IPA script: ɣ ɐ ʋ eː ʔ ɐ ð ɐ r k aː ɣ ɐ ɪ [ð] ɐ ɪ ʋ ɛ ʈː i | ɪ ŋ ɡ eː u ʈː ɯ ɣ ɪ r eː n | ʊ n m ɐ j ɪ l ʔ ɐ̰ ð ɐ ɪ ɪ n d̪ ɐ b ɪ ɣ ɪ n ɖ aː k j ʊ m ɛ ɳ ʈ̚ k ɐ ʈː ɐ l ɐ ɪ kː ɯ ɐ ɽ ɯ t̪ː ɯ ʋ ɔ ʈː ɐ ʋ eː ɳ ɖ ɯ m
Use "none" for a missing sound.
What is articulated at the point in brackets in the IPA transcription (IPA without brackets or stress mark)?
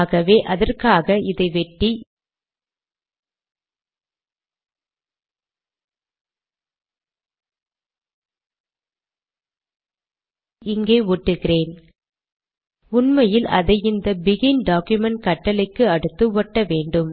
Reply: ð